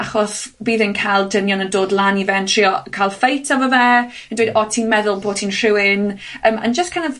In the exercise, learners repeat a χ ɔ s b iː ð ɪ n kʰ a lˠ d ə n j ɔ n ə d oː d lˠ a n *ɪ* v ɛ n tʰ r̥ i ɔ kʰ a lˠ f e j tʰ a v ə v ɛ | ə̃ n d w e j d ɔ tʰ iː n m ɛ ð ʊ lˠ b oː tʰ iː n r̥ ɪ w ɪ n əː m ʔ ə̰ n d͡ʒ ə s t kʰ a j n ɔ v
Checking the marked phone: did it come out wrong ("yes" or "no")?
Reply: yes